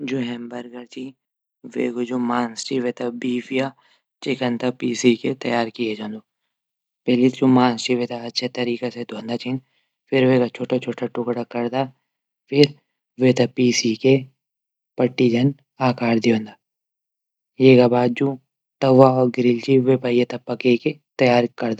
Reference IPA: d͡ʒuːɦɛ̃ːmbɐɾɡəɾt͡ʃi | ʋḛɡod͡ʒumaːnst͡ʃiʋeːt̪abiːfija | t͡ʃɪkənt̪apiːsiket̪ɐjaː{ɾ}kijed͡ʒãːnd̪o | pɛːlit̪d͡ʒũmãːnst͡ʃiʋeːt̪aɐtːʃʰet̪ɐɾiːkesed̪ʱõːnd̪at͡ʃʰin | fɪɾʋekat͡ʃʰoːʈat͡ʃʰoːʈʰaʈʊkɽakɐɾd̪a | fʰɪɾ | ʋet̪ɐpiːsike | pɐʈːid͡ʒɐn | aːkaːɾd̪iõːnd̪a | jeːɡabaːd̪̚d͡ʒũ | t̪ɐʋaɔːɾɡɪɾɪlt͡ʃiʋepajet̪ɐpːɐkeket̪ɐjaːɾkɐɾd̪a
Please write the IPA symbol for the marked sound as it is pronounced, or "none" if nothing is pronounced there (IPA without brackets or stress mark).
ɾ